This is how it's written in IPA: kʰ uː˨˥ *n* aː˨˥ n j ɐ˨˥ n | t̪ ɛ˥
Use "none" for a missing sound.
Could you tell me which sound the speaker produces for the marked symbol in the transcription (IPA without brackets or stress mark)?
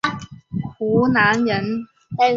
n